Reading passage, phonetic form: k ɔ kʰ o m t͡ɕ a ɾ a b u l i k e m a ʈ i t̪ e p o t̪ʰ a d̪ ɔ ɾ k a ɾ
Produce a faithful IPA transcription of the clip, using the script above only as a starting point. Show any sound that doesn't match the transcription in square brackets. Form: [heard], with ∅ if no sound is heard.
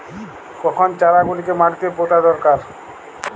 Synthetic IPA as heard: k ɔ kʰ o [n] t͡ɕ a ɾ a [ɡ] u l i k e m a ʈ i t̪ e p o [t̪] a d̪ ɔ ɾ k a ɾ